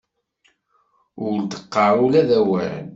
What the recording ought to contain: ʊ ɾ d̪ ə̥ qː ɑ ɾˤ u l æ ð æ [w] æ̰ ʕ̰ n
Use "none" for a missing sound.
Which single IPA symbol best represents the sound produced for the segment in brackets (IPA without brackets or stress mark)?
w